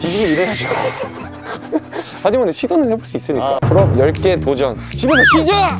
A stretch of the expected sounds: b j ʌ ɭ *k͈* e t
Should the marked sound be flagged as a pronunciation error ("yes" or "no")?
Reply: no